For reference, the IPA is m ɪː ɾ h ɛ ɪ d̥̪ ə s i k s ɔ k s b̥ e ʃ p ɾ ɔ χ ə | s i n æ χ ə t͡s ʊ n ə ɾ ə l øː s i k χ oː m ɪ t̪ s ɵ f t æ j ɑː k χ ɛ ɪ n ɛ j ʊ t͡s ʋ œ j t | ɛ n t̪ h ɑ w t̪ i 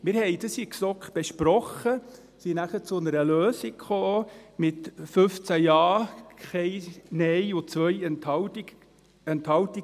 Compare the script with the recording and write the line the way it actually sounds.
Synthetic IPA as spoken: m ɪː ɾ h ɛ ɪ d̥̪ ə s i k s ɔ k χ b̥ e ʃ p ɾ ɔ χ ə | s i n æ χ ə t͡s ʊ n ə ɾ ə l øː s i k χ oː m ɪ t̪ f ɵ f t͡s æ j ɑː k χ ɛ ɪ n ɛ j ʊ t͡s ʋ œ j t | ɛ n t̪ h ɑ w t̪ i